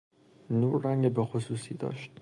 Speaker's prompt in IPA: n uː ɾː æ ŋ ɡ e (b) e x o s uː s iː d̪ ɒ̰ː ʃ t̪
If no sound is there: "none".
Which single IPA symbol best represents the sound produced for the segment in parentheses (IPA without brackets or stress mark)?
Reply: b